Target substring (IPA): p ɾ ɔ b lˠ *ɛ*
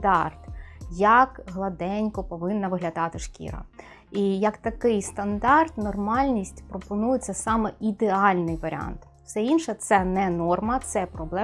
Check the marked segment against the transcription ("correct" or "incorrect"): correct